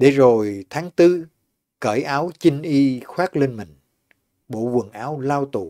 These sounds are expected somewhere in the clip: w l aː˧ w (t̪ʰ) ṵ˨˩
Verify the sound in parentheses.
incorrect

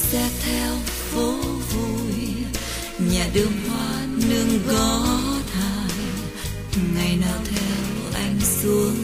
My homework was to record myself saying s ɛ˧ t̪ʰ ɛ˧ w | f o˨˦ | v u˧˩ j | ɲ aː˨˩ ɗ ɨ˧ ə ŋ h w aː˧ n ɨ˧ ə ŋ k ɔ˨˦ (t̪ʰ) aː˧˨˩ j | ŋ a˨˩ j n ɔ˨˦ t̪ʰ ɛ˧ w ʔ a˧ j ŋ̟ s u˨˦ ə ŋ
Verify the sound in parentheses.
correct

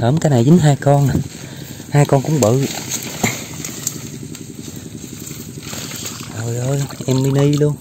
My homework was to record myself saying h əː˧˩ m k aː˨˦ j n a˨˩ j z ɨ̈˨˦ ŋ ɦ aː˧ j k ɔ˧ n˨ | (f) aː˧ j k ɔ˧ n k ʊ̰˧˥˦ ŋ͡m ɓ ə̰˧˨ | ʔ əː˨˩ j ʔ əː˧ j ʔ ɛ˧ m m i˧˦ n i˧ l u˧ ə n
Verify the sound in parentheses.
incorrect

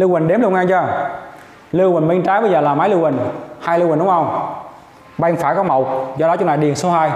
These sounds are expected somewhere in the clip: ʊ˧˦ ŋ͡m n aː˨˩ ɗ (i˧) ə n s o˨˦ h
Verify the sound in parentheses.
incorrect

